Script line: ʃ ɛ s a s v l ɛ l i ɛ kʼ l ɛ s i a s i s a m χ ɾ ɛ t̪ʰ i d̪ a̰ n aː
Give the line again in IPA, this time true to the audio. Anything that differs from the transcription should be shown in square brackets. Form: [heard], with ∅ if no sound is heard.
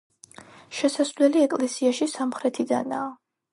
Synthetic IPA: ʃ ɛ s a s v l ɛ l i ɛ kʼ l ɛ s i a [ʃ] i s a m χ ɾ ɛ t̪ʰ i d̪ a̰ n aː